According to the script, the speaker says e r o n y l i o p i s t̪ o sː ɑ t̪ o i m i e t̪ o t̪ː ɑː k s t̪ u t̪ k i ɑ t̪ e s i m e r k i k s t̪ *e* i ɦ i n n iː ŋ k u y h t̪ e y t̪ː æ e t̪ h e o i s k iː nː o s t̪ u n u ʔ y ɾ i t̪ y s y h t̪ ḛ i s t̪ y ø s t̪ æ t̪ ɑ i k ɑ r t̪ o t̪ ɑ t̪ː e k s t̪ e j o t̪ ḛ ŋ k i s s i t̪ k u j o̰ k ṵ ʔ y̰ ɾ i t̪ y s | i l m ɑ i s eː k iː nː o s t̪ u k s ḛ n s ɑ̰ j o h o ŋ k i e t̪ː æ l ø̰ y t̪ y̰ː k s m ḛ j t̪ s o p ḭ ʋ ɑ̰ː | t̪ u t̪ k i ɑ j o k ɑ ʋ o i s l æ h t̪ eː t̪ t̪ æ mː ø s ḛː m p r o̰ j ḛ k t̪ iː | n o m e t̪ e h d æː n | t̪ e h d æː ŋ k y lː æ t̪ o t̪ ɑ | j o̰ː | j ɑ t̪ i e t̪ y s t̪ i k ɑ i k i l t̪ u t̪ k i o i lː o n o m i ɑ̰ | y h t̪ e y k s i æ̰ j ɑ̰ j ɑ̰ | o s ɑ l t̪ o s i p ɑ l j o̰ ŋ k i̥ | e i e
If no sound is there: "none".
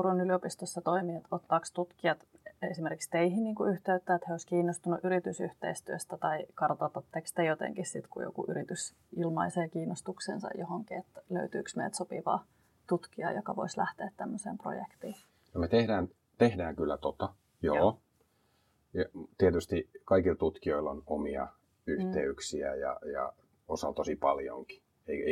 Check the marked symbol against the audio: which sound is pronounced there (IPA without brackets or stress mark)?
e